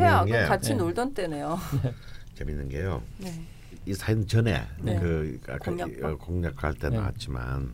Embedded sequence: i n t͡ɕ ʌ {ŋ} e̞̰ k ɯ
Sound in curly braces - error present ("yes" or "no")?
yes